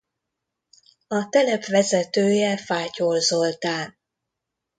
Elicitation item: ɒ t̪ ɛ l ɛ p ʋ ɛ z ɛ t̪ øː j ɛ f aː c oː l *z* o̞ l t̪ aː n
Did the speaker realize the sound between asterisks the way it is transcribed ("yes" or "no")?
yes